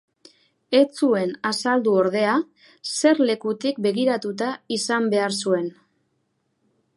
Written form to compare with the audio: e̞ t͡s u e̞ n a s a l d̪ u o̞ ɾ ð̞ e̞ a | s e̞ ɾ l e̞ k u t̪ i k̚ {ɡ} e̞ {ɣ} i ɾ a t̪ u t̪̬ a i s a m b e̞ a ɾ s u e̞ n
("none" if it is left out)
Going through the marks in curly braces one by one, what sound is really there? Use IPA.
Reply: b, ɣ

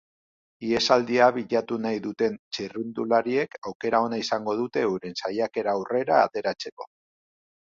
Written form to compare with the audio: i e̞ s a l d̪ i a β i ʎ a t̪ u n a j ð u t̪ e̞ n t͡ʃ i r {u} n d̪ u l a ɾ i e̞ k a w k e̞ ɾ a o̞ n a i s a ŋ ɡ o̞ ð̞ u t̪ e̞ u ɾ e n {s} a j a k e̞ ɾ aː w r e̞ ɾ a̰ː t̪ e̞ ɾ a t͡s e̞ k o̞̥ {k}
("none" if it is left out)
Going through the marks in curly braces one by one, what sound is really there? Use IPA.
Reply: u, s, none

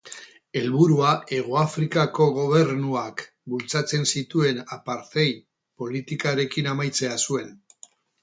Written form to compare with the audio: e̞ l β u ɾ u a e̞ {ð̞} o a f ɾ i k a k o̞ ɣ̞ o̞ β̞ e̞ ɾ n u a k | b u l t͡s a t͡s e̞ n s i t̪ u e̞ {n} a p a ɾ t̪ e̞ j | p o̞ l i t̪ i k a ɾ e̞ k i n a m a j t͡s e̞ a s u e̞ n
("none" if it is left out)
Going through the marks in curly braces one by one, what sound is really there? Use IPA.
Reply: ɣ̞, n

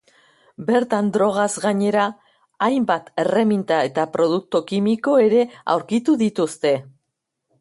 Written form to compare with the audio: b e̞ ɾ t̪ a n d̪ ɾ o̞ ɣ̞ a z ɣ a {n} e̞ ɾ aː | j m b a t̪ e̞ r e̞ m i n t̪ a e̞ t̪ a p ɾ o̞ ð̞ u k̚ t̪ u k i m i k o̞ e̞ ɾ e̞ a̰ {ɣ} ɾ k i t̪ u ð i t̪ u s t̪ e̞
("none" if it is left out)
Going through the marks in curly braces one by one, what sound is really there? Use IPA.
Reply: ɲ, w

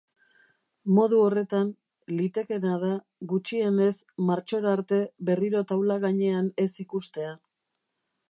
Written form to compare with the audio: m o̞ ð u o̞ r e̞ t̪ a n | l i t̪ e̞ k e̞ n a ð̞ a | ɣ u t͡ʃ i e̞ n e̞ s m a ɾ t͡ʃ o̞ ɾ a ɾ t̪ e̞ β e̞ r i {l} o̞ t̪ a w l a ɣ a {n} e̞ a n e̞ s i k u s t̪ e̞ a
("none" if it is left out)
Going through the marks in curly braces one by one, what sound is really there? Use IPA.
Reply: ɾ, ɲ

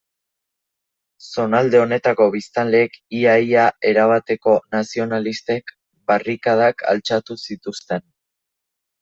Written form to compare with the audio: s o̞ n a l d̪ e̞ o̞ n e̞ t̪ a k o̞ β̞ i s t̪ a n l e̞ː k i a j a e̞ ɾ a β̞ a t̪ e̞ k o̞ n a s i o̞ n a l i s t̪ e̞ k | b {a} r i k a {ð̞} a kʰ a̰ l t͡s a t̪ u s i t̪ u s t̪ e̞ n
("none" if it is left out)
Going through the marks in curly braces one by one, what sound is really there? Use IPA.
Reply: a, ð̞

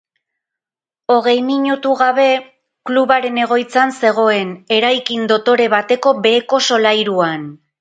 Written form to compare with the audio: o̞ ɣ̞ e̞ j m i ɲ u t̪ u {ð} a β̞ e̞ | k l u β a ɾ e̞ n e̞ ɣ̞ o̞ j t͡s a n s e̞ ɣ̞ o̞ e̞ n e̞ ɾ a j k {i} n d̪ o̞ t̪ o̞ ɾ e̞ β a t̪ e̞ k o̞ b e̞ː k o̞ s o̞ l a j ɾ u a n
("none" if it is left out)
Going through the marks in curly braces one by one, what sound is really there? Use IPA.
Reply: ɣ, i

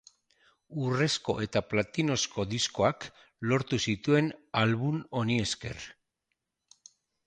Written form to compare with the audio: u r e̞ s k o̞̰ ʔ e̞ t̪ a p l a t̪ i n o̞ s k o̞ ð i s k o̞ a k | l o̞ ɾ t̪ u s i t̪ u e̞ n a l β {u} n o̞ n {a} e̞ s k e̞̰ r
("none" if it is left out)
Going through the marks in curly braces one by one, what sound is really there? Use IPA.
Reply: u, i

